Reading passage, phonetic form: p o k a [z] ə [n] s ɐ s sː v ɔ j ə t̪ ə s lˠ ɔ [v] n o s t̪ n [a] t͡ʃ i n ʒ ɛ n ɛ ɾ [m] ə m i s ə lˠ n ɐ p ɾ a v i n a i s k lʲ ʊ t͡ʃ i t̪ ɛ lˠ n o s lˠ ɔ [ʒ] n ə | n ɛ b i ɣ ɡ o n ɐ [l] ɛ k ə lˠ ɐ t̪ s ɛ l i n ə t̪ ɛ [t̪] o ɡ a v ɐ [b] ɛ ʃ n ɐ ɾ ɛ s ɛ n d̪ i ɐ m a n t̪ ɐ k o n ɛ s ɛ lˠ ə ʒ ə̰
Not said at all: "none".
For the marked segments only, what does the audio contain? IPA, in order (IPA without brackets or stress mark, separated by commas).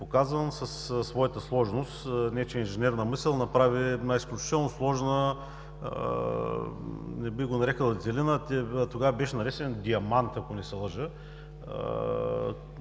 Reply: z, n, ʒ, ɛ, n, ʒ, ɾ, t̪, b